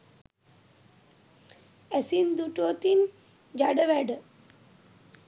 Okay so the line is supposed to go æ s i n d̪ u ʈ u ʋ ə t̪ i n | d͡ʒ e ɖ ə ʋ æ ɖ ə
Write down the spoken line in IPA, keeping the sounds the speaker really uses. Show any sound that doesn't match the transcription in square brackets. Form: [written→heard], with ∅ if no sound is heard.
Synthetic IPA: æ s i n d̪ u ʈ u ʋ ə t̪ i n | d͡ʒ [e→a] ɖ ə ʋ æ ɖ ə